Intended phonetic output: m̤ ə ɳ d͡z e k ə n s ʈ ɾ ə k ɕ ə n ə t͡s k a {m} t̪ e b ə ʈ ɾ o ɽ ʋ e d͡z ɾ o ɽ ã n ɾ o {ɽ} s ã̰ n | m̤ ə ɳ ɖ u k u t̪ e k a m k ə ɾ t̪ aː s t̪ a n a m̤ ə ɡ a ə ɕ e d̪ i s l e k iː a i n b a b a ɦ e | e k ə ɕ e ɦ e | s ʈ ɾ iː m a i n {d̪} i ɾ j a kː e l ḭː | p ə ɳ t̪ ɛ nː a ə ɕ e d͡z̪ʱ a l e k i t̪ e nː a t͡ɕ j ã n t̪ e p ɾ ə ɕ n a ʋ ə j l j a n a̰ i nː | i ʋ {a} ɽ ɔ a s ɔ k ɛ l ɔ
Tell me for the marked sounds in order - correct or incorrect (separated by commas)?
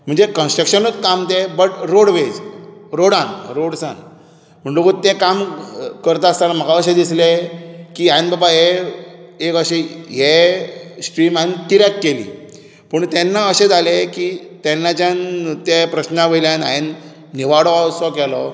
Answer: correct, correct, incorrect, correct